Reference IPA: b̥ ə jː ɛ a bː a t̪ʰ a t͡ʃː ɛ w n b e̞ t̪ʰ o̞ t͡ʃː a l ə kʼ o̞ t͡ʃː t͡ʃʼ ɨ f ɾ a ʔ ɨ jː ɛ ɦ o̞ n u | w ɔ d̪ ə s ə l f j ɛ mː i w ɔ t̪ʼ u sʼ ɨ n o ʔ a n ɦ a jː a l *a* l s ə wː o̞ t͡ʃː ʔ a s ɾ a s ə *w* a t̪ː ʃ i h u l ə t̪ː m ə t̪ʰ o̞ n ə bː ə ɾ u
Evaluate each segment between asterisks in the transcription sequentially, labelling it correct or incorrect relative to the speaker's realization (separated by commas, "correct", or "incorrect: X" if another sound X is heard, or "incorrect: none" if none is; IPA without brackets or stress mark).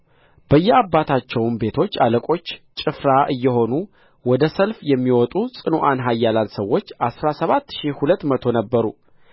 correct, incorrect: β